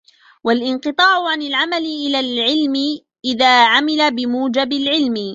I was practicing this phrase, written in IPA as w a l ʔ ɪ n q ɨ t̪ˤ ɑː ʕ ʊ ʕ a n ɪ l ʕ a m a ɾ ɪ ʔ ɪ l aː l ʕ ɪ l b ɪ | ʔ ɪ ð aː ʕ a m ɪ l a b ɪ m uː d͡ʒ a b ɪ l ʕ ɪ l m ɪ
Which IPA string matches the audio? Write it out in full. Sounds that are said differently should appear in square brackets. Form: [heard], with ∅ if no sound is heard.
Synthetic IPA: w a l ʔ ɪ n q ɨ t̪ˤ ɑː ʕ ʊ ʕ a n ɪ l ʕ a m a [l] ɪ ʔ ɪ l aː l ʕ ɪ l [m] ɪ | ʔ ɪ ð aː ʕ a m ɪ l a b ɪ m uː d͡ʒ a b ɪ l ʕ ɪ l m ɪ